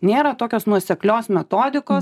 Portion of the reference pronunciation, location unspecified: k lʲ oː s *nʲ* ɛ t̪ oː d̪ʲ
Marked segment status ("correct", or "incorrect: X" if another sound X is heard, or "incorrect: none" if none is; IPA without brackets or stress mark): incorrect: mʲ